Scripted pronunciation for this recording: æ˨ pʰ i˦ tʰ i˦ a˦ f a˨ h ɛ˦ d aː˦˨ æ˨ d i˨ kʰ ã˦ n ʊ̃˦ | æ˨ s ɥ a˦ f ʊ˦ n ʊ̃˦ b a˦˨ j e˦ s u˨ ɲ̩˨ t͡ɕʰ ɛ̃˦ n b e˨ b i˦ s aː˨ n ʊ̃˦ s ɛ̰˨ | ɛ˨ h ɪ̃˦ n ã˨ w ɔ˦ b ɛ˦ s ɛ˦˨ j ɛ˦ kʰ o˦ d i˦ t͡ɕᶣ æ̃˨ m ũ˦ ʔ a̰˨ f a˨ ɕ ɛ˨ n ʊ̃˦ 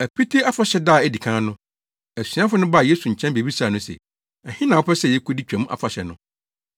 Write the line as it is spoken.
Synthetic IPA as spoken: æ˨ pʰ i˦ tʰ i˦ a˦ f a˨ ɕ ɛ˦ d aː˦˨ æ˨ d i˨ kʰ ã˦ n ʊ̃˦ | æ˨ s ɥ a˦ f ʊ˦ n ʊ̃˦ b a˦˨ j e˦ s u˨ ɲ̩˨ t͡ɕʰ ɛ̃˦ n b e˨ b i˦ s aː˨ n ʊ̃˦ s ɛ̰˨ | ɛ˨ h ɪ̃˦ n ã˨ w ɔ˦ p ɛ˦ s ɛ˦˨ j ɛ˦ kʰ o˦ d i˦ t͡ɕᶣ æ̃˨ m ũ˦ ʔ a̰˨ f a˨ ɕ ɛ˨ n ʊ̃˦